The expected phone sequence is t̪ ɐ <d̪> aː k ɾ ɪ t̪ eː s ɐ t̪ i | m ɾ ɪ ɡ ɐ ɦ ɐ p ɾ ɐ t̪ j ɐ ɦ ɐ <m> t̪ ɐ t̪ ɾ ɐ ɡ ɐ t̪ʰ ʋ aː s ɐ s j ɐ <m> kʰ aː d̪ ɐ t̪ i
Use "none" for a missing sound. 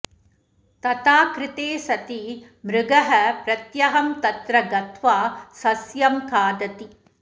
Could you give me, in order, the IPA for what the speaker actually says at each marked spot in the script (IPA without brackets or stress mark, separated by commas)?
t̪, m, m